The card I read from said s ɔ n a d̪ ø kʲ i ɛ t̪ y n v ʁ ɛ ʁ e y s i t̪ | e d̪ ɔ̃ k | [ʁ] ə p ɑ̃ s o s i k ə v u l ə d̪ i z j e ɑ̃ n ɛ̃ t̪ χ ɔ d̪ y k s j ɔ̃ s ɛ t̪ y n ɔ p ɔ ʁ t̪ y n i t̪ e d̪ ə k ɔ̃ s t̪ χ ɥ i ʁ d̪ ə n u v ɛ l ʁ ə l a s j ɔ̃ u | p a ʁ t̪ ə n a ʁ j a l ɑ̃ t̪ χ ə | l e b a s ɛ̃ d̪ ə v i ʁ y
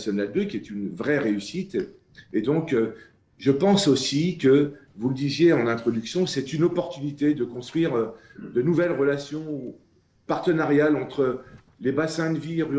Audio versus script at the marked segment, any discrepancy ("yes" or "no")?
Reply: yes